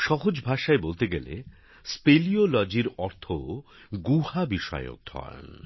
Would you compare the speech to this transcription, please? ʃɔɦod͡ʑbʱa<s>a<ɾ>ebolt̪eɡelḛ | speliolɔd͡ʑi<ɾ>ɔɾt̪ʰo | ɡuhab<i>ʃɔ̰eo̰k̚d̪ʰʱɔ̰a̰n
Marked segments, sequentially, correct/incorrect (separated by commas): incorrect, incorrect, correct, correct